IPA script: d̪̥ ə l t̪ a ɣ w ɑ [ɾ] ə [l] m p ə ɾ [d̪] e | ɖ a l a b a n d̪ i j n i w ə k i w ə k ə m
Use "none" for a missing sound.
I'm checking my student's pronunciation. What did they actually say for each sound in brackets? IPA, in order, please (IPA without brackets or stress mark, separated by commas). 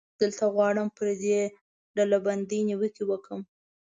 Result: ɽ, none, d̪